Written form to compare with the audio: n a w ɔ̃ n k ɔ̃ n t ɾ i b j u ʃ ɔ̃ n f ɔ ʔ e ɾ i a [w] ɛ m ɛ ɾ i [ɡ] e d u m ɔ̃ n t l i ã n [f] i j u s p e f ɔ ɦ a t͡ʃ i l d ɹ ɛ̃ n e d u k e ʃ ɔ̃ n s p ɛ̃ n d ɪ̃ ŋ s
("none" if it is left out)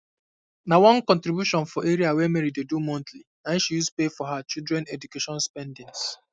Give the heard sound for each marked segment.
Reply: w, d, ʃ

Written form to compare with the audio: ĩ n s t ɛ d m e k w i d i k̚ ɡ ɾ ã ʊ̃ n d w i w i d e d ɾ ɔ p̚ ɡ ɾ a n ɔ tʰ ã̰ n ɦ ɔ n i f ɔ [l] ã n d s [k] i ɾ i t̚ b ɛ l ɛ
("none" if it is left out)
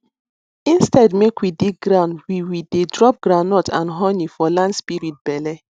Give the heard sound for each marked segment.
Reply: l, p

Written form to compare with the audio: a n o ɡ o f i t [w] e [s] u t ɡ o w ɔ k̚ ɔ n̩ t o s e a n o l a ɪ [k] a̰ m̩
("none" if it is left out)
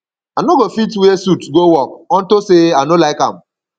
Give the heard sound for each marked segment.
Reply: w, s, k

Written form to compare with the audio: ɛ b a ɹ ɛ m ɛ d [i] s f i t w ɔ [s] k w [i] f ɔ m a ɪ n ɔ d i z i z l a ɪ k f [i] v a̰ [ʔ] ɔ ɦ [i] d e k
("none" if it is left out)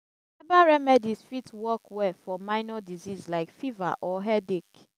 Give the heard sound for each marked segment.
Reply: i, none, ɛ, i, ʔ, ɛ

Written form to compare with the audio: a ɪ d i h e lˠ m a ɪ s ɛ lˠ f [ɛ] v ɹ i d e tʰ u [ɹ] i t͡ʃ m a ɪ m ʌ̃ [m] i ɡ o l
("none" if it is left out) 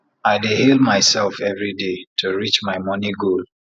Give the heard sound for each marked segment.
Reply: ɛ, ɹ, n

